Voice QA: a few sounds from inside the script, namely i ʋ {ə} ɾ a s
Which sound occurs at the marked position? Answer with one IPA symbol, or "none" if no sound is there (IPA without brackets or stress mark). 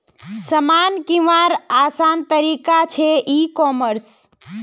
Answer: a